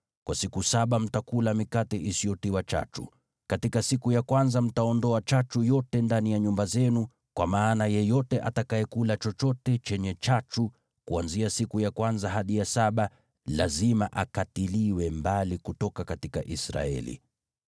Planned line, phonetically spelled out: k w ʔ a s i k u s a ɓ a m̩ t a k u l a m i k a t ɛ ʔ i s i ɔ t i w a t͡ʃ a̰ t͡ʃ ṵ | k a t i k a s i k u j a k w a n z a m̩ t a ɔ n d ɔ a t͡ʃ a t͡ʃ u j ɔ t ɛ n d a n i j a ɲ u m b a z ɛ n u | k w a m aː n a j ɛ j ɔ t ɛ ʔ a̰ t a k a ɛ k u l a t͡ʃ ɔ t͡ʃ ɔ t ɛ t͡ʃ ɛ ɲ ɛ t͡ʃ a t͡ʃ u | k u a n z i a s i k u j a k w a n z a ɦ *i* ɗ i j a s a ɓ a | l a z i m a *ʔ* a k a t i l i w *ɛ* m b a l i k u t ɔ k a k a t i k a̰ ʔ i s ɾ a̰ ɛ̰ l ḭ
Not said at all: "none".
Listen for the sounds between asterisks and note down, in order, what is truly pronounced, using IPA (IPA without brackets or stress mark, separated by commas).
a, ʔ, ɛ